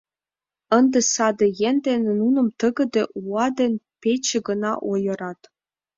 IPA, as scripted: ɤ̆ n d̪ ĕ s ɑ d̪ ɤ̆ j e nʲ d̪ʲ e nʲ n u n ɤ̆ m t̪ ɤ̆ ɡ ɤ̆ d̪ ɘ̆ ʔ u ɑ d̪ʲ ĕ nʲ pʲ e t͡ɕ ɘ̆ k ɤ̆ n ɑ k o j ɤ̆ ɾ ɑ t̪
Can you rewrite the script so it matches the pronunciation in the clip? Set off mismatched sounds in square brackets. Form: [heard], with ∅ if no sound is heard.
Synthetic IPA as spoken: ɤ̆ n d̪ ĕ s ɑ d̪ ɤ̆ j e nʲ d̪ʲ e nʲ n u n ɤ̆ m t̪ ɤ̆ ɡ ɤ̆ d̪ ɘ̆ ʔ u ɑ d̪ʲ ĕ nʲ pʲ e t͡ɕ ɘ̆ [ɡ] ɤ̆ n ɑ [ʔ] o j ɤ̆ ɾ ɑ t̪